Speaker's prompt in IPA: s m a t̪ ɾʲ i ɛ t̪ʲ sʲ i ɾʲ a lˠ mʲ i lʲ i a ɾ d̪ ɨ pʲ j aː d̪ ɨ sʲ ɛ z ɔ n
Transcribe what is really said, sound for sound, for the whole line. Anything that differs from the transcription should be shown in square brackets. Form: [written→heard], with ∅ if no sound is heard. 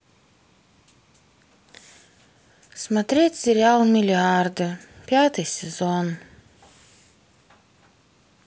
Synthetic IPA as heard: s m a t̪ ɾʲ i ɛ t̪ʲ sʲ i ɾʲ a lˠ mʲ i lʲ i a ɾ d̪ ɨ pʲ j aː [d̪→t̪] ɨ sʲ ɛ z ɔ n